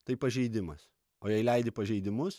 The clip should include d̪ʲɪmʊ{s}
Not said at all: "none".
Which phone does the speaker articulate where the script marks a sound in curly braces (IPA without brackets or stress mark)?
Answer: s